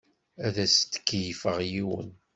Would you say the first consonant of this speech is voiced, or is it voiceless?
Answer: voiced